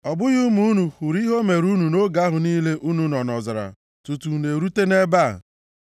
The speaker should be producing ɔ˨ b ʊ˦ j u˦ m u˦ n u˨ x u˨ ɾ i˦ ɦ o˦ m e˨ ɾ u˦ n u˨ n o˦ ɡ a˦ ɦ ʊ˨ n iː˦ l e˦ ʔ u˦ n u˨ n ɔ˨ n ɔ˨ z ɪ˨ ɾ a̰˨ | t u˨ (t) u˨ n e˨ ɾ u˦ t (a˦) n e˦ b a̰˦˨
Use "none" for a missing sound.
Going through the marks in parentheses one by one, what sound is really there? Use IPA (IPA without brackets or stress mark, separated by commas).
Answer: t, e˦